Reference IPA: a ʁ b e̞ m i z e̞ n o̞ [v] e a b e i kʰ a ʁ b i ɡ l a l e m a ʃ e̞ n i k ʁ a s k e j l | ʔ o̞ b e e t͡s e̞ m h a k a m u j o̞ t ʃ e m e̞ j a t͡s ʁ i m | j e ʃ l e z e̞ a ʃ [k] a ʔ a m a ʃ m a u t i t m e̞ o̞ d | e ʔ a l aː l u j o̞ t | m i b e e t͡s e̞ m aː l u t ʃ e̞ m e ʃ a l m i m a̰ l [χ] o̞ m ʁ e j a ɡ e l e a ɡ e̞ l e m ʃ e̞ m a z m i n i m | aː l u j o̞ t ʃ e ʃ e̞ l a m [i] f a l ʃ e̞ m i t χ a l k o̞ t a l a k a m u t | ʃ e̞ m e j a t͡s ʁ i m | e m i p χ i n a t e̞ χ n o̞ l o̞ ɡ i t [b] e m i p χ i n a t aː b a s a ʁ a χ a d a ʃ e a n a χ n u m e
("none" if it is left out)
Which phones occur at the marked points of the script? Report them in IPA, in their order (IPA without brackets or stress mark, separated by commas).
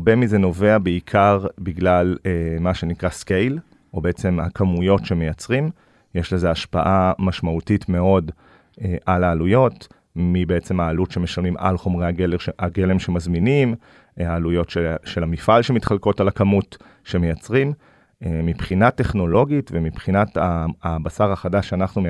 v, p, χ, i, v